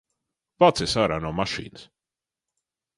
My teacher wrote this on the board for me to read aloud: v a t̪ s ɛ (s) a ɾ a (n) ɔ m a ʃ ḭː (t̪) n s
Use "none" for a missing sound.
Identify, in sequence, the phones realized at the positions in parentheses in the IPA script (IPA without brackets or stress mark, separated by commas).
s, n, none